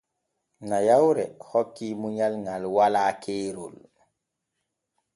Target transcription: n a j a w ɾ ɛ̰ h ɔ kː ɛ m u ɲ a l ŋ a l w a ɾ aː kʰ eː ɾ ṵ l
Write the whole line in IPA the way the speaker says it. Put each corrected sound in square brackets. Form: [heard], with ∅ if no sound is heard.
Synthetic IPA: n a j a w ɾ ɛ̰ h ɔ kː [i] m u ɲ a l ŋ a l w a [l] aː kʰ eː ɾ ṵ l